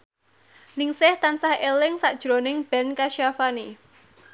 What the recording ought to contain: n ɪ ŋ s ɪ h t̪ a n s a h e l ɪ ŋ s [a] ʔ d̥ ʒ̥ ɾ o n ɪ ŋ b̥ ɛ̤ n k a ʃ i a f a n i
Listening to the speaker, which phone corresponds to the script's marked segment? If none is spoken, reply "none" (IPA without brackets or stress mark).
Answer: a